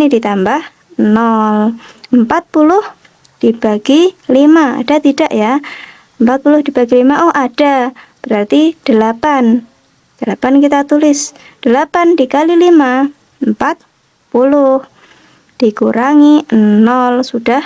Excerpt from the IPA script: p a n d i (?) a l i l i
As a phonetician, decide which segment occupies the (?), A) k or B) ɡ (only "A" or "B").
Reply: A